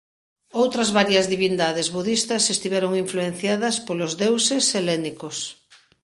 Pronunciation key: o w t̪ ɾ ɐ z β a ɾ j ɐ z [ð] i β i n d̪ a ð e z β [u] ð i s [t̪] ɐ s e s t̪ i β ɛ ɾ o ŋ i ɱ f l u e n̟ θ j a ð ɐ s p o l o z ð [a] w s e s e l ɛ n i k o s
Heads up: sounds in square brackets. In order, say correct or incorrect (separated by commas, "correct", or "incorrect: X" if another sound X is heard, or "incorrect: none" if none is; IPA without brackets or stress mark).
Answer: correct, correct, correct, incorrect: e